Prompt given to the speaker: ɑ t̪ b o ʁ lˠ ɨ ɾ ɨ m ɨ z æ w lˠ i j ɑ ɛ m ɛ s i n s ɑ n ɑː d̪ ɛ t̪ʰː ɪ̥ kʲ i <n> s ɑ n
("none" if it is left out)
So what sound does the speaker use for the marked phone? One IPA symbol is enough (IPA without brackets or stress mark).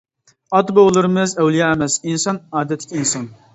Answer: n